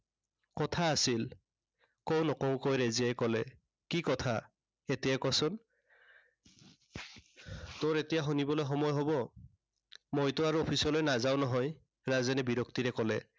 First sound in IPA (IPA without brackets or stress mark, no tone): k